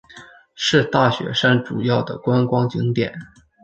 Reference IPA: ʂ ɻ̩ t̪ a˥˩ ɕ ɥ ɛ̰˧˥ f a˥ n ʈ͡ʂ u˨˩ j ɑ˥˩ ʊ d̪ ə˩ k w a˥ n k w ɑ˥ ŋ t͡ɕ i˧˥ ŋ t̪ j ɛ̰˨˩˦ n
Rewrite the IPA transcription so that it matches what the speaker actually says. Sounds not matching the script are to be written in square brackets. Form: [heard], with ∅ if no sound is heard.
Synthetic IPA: ʂ ɻ̩ t̪ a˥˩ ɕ ɥ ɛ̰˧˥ [ʂ] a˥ n ʈ͡ʂ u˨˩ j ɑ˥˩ ʊ d̪ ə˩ k w a˥ n k w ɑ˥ ŋ t͡ɕ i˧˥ ŋ t̪ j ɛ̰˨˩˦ n